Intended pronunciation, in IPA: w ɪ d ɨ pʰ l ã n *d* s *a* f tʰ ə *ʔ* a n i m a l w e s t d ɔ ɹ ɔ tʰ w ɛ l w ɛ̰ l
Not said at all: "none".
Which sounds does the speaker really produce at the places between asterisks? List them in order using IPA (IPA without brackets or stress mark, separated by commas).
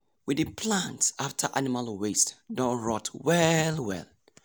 t, a, ʔ